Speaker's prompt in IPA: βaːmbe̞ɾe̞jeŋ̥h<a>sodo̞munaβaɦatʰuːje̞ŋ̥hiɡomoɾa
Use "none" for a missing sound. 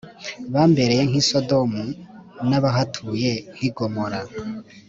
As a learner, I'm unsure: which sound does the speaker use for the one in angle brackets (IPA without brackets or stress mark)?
i